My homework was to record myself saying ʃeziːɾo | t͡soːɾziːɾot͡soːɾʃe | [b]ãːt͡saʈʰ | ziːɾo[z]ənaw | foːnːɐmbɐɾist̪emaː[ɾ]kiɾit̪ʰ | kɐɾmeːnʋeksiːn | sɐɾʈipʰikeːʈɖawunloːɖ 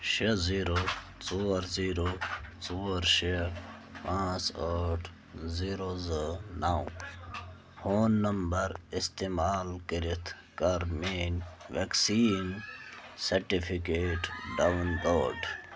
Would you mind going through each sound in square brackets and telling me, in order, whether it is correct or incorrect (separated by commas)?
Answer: incorrect, correct, incorrect